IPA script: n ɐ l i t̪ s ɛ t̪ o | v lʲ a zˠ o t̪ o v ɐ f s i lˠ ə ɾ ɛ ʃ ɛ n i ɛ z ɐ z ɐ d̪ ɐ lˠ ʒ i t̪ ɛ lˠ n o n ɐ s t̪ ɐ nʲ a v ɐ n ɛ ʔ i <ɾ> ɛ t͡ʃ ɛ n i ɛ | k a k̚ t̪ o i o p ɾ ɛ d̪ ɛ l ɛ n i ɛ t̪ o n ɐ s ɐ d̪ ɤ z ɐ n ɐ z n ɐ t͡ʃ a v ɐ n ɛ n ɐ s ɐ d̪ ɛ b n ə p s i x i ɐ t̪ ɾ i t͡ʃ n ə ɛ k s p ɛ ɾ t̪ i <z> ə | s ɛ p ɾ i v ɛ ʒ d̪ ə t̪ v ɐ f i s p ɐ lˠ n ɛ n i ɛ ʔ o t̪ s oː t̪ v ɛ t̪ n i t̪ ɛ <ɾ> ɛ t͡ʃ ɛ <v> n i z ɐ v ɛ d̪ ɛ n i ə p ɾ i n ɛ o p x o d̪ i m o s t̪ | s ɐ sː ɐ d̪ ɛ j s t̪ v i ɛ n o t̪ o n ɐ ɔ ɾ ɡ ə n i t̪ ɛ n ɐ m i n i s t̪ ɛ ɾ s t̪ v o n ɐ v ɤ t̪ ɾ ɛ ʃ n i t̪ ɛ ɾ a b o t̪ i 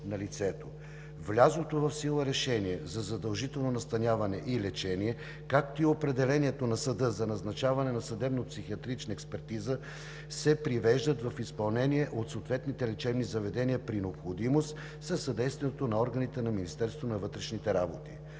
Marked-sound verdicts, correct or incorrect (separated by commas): incorrect, correct, incorrect, incorrect